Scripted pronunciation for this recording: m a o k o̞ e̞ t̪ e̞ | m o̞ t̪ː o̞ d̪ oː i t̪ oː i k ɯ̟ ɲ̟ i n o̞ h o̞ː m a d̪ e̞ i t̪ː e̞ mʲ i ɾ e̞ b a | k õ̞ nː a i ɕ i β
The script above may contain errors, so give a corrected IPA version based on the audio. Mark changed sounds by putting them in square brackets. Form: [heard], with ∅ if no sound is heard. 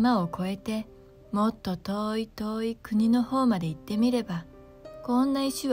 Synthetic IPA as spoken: m a o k o̞ e̞ t̪ e̞ | m o̞ t̪ː o̞ [t̪] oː i t̪ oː i k ɯ̟ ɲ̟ i n o̞ h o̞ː m a d̪ e̞ i t̪ː e̞ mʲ i ɾ e̞ b a | k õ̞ nː a i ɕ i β